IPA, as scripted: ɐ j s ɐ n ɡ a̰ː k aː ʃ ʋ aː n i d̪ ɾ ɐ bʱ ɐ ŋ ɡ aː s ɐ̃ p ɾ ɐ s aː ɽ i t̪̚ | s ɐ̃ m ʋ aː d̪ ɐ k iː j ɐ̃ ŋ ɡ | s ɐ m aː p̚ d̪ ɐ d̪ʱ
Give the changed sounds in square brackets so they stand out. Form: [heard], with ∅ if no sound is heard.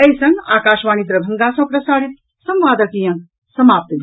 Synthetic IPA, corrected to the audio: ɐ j s ɐ [ŋ] ɡ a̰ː k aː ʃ ʋ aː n i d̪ ɾ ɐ bʱ ɐ ŋ ɡ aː s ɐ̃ p ɾ ɐ s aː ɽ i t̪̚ | s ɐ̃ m ʋ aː d̪ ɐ k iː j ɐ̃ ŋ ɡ | s ɐ m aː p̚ [t̪] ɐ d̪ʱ